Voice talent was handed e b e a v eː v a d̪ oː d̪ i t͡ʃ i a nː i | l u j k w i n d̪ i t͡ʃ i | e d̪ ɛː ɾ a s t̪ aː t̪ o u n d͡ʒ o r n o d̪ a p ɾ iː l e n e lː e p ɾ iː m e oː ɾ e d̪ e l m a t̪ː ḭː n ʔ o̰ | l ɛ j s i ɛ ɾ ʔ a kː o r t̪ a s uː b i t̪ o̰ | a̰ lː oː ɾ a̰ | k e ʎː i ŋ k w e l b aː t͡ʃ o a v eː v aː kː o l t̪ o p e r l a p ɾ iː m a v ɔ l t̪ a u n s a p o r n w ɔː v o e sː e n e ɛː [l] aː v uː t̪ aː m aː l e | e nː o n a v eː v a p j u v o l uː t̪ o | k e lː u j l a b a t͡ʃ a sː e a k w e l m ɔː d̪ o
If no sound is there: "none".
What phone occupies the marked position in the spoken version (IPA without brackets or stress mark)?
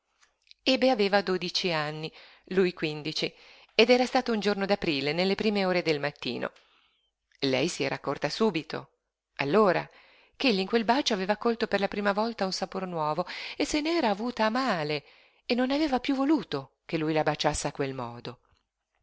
ɾ